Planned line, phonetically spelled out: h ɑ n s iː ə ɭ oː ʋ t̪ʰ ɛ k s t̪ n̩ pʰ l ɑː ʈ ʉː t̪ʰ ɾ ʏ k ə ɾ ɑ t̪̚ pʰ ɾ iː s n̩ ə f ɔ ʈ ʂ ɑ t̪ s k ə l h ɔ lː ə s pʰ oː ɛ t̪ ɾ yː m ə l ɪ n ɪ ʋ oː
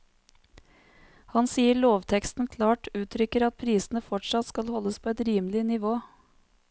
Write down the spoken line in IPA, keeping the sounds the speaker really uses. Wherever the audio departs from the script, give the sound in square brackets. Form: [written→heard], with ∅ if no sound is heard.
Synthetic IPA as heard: h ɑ n s iː ə ɭ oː ʋ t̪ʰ ɛ k s t̪ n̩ [pʰ→kʰ] l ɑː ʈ ʉː t̪ʰ ɾ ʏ k ə ɾ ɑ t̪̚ pʰ ɾ iː s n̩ ə f ɔ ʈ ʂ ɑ t̪ s k [ə→ɑ] l h ɔ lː ə s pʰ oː ɛ t̪ ɾ [yː→iː] m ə l ɪ n ɪ ʋ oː